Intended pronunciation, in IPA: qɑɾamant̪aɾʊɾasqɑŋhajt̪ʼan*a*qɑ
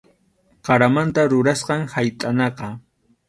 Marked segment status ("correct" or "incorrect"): incorrect